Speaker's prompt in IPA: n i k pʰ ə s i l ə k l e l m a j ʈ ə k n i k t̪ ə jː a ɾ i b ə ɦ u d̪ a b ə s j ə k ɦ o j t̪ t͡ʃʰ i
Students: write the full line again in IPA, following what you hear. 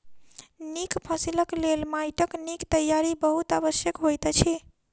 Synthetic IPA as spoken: n i k pʰ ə s i l ə k l e l m a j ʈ ə k n i k t̪ ə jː a ɾ i b ə ɦ u t̪ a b ə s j ə k ɦ o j t̪ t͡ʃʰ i